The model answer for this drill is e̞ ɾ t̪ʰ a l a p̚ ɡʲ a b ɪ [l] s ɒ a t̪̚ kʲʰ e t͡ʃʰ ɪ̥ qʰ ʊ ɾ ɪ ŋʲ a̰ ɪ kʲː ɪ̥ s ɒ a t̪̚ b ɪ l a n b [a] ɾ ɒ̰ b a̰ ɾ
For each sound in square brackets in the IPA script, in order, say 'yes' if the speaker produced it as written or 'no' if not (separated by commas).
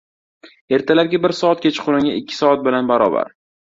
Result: no, yes